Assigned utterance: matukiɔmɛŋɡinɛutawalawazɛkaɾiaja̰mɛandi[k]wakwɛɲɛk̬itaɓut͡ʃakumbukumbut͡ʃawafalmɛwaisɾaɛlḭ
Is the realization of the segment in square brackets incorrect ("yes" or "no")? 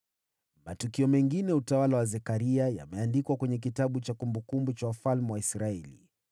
no